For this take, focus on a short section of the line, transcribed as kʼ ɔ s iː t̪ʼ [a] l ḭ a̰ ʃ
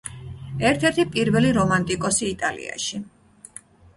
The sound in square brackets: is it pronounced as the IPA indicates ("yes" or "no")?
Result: yes